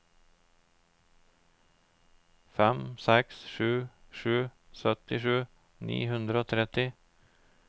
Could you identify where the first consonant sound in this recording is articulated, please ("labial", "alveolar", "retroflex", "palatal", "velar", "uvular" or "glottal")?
labial